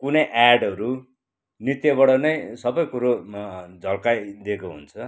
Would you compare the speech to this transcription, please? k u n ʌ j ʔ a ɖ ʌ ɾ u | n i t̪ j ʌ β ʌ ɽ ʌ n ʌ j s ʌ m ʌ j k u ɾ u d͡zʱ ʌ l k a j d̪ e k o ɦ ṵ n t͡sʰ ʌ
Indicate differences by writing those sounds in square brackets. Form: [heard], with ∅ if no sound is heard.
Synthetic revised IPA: k u n ʌ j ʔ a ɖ ʌ ɾ u | n i t̪ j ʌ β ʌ ɽ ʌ n ʌ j s ʌ [b] ʌ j k u ɾ [o] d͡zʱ ʌ l k a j d̪ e k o ɦ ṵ n t͡sʰ ʌ